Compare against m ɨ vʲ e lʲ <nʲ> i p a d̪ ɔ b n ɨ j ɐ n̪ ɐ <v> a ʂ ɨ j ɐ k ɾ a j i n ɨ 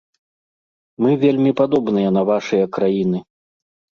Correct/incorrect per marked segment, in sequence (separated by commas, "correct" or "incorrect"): incorrect, correct